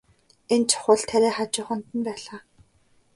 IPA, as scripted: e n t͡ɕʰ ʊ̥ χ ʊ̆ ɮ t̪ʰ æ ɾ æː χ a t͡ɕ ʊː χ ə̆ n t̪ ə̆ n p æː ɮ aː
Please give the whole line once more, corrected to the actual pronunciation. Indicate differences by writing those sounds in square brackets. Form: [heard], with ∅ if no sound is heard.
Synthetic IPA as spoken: e n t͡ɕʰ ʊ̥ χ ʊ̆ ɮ t̪ʰ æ ɾ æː χ a t͡ɕ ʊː χ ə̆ n t̪ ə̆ n p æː ɮ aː